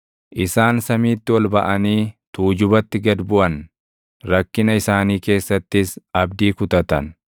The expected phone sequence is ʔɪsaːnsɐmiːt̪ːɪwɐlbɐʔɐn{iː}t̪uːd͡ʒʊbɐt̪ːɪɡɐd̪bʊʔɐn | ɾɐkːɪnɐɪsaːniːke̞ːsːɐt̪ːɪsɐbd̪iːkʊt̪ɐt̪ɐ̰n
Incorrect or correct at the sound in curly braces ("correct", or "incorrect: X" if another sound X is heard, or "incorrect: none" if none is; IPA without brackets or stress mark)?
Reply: correct